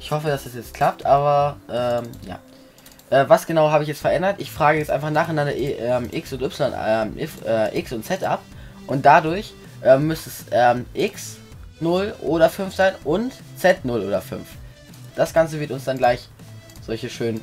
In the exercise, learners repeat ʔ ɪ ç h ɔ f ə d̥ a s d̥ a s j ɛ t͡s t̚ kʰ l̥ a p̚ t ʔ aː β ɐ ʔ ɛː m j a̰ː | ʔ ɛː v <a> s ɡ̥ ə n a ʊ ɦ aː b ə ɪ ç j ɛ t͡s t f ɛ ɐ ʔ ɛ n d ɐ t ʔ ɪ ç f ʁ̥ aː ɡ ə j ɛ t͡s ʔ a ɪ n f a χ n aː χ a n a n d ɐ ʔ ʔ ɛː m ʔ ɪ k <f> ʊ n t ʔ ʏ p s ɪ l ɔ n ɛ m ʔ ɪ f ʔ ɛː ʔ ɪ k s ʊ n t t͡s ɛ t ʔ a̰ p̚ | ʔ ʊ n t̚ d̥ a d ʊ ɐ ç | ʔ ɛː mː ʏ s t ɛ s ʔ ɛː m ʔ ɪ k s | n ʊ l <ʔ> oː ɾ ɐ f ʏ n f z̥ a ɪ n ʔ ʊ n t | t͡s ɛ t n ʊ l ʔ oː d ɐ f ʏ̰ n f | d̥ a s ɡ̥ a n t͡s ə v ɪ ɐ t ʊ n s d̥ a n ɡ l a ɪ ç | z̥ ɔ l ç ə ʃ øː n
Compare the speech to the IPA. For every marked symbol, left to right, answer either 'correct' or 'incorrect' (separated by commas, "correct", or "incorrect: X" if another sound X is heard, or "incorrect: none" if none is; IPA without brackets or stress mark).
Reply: correct, incorrect: s, correct